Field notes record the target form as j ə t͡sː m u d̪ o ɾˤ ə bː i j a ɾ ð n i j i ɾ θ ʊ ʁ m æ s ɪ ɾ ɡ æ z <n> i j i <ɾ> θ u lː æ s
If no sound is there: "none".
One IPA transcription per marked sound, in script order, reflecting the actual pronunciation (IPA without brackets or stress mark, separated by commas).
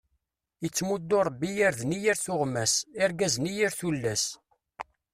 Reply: n, ɾ